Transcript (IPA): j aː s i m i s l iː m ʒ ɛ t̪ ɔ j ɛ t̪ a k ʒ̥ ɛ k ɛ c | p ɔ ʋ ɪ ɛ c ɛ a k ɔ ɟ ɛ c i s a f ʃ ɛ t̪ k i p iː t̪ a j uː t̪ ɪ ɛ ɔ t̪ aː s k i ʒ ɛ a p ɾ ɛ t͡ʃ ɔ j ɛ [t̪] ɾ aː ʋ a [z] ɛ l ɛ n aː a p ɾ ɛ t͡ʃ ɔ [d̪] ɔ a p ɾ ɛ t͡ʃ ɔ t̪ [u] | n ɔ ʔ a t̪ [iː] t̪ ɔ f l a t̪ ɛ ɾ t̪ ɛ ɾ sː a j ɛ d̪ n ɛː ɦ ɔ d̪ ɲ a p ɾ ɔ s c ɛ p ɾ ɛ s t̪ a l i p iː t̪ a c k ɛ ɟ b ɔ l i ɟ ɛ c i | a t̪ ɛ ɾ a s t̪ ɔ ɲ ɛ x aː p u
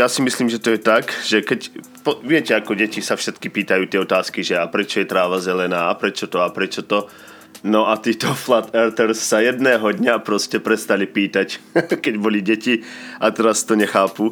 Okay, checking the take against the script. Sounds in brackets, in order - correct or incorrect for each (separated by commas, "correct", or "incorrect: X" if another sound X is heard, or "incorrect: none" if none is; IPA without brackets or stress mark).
correct, correct, incorrect: t̪, incorrect: ɔ, correct